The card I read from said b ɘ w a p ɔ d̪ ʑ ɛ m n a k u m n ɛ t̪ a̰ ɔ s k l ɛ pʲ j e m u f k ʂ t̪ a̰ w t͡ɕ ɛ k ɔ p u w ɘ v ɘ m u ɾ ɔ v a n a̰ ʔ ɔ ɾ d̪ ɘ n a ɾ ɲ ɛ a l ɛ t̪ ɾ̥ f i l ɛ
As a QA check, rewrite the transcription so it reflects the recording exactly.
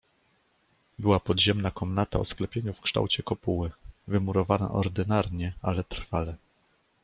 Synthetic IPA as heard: b ɘ w a p ɔ d̪ ʑ ɛ m n a k ɔ m n a t̪ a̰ ɔ s k l ɛ pʲ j e ɲ u f k ʂ t̪ a̰ w t͡ɕ ɛ k ɔ p u w ɘ v ɘ m u ɾ ɔ v a n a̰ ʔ ɔ ɾ d̪ ɘ n a ɾ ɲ ɛ a l ɛ t̪ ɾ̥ f a l ɛ